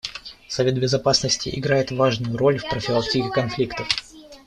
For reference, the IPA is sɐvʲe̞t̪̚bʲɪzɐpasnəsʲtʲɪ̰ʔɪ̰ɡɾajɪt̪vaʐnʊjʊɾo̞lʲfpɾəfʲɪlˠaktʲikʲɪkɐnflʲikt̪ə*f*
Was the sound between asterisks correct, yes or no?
yes